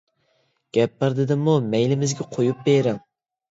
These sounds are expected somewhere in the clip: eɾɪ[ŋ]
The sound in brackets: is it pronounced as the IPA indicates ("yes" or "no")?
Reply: yes